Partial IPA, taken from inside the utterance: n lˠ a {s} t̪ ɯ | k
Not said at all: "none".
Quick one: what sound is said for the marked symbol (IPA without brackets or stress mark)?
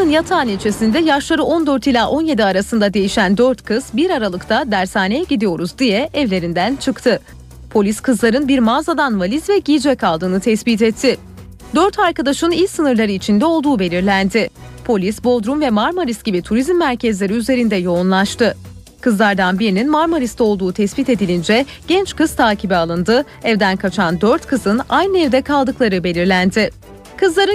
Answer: ʃ